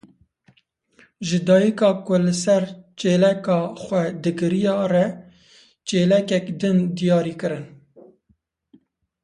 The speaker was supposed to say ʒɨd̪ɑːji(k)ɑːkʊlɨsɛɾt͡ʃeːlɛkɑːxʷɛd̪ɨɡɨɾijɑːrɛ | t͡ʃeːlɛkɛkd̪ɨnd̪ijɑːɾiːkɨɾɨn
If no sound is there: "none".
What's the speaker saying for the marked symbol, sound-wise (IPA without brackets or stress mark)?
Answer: k